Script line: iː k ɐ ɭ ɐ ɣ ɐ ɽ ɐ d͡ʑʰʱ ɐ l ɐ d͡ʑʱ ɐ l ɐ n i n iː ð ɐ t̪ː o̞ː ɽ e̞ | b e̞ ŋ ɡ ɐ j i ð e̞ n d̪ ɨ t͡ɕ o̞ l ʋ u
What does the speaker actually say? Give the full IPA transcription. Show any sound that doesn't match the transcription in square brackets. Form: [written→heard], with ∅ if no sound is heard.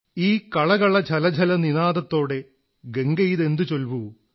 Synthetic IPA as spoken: iː k ɐ ɭ ɐ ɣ ɐ [ɽ→ɭ] ɐ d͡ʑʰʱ ɐ l ɐ d͡ʑʱ ɐ l ɐ n i n [iː→aː] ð ɐ t̪ː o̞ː ɽ e̞ | [b→ɡ] e̞ ŋ ɡ ɐ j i ð e̞ n d̪ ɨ t͡ɕ o̞ l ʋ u